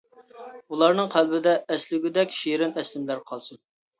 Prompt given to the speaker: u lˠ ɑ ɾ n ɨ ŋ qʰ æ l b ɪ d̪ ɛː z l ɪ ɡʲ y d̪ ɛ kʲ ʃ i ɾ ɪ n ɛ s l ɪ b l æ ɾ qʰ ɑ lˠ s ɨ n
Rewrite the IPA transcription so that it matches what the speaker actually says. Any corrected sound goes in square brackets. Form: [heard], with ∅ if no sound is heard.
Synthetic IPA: u lˠ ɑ ɾ n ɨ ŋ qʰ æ l b ɪ d̪ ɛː [s] l ɪ ɡʲ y d̪ ɛ kʲ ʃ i ɾ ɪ n ɛ s l ɪ [m] l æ ɾ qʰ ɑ lˠ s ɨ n